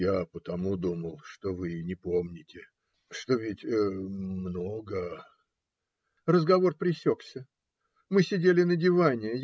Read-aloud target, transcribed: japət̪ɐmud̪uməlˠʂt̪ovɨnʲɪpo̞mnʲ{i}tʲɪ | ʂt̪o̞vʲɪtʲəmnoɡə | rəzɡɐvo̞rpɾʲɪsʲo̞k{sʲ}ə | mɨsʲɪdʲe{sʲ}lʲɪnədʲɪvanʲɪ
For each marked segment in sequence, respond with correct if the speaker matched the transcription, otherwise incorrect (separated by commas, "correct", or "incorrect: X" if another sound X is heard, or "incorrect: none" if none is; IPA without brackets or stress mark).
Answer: incorrect: ɪ, correct, incorrect: none